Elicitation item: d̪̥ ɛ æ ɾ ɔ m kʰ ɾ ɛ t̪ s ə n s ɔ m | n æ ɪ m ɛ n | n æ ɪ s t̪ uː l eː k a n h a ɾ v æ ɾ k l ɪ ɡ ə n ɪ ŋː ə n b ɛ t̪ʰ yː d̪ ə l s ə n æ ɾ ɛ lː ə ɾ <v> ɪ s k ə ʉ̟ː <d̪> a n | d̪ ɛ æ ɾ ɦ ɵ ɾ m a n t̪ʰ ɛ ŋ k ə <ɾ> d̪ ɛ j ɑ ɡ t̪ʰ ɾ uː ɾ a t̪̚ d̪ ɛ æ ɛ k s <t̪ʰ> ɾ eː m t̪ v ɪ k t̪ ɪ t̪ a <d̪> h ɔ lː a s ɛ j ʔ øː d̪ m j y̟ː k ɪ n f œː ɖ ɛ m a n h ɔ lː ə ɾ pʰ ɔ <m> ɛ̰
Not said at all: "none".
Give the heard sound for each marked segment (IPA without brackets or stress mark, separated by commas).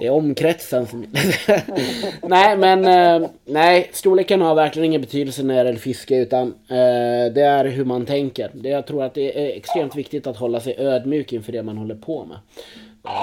f, t̪, ɾ, t̪, t̪, m